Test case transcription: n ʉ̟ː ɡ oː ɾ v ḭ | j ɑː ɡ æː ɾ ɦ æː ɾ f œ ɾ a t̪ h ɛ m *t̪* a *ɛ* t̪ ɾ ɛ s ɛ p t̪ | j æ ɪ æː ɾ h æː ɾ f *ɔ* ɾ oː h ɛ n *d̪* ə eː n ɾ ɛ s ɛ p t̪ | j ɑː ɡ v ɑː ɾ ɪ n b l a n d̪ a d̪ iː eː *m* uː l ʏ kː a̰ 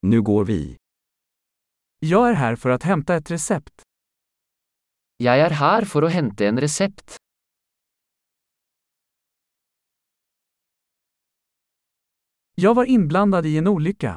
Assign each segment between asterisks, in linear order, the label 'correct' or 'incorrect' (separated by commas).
correct, correct, correct, incorrect, incorrect